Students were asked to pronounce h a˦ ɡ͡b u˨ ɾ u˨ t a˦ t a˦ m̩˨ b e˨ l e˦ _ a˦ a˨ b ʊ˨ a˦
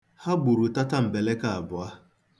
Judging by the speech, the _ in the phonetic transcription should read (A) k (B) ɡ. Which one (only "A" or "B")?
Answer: A